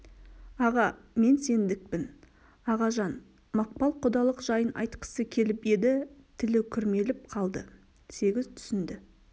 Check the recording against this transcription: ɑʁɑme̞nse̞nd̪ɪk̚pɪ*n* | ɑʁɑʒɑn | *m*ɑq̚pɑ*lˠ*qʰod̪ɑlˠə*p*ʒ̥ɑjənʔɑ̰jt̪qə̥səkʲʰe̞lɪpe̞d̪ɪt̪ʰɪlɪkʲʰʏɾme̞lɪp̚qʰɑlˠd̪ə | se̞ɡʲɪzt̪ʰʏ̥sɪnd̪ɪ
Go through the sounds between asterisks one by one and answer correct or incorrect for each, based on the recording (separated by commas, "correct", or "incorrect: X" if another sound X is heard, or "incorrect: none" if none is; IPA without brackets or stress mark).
correct, correct, correct, incorrect: q